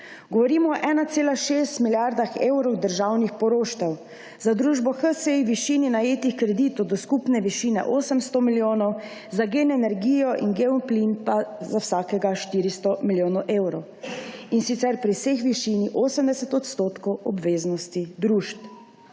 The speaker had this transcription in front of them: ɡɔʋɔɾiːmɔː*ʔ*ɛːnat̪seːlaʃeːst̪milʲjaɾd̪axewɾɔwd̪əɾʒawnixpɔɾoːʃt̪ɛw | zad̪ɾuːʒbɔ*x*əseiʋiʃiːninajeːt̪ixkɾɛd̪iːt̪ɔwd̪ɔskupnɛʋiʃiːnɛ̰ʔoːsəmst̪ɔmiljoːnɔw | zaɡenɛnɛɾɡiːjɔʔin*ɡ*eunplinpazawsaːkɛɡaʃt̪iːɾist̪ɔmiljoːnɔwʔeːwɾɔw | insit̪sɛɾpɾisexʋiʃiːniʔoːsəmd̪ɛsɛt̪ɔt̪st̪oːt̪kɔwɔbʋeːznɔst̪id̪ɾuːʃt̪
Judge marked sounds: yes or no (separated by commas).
yes, yes, yes